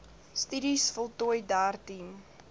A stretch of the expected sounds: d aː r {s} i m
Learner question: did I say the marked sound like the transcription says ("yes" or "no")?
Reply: no